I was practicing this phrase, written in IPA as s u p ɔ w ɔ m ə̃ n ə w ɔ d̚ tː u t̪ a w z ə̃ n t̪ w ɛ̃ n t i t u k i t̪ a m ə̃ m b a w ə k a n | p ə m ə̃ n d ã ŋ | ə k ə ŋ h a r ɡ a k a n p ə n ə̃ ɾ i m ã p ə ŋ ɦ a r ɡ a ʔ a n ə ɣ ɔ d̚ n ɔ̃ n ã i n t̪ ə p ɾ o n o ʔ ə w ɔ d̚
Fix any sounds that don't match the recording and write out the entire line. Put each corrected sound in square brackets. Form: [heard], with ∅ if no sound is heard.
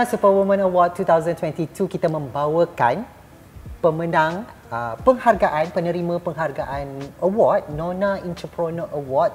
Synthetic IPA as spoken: s u p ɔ w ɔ m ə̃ n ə w ɔ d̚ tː u t̪ a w z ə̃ n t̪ w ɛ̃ n t i t u k i t̪ a m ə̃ m b a w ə k a n | p ə m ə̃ n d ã ŋ | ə [p] ə ŋ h a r ɡ a [ʔ] a n p ə n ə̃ ɾ i m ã p ə ŋ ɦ a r ɡ a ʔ a n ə [w] ɔ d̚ n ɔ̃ n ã i n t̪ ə p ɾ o n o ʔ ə w ɔ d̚